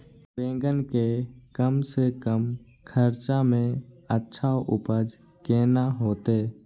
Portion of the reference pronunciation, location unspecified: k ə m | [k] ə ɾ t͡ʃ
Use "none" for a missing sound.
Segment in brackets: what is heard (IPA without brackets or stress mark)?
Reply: kʰ